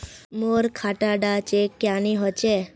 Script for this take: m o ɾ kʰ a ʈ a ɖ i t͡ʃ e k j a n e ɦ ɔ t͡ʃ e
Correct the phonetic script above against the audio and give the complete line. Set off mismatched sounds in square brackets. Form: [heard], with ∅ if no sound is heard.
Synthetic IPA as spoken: m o ɾ kʰ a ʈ a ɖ [a] t͡ʃ e k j a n [i] ɦ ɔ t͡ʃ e